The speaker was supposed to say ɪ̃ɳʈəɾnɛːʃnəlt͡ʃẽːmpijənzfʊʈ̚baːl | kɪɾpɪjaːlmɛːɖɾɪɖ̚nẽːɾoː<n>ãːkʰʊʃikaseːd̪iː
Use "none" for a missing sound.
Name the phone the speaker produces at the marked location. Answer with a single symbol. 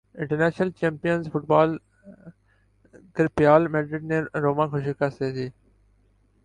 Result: m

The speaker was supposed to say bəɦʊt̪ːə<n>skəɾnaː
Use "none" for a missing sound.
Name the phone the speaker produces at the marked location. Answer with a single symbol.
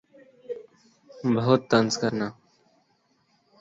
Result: n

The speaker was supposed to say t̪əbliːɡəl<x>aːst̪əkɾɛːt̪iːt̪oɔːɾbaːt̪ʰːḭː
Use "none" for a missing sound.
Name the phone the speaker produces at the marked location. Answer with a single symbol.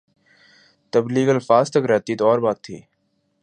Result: f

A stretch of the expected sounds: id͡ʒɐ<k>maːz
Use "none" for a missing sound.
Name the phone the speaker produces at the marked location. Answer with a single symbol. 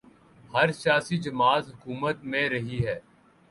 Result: none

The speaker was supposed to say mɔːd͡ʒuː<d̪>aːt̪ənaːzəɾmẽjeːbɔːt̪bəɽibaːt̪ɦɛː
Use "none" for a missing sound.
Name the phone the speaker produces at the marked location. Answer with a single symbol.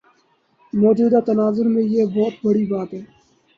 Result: d̪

